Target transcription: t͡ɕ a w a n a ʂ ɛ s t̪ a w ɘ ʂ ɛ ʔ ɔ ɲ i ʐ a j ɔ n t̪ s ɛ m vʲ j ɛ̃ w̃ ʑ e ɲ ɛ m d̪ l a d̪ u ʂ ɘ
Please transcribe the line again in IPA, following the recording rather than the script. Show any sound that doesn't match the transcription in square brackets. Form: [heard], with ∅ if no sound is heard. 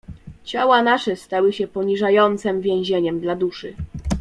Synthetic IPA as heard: t͡ɕ a w a n a ʂ ɛ s t̪ a w ɘ [ɕ] ɛ [p] ɔ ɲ i ʐ a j ɔ n t̪ s ɛ m vʲ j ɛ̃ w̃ ʑ e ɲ ɛ m d̪ l a d̪ u ʂ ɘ